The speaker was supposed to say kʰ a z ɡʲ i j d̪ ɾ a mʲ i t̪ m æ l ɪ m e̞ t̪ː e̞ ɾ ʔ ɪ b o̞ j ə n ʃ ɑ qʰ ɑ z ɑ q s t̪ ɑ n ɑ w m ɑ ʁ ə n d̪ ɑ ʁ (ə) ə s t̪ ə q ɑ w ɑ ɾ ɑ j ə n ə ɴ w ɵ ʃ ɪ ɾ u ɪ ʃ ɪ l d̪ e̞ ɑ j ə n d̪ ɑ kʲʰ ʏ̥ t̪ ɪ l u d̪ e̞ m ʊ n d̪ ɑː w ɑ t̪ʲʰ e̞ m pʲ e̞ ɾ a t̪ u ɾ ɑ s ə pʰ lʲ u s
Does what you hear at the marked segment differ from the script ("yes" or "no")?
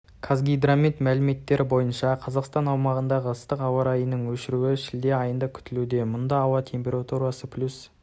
no